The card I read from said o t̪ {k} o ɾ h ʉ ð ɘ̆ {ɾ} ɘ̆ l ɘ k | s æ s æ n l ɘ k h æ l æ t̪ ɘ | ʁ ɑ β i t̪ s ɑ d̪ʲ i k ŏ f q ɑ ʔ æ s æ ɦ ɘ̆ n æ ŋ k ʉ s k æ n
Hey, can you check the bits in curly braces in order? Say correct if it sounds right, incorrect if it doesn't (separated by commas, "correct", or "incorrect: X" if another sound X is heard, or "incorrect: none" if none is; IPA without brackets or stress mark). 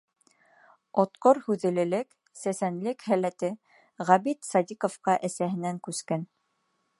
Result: incorrect: q, incorrect: l